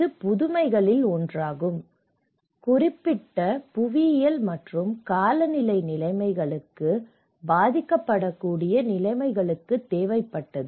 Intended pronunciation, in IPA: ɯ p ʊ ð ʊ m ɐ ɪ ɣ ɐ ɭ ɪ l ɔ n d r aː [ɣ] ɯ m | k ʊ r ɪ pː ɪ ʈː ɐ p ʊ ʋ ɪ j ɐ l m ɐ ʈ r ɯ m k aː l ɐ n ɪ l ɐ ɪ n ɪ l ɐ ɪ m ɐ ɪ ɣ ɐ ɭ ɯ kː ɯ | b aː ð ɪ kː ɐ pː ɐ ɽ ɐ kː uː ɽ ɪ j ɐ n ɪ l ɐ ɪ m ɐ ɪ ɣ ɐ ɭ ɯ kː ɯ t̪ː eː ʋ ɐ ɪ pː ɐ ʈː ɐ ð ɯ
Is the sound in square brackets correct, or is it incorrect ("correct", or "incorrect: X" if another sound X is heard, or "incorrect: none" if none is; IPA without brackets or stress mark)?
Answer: correct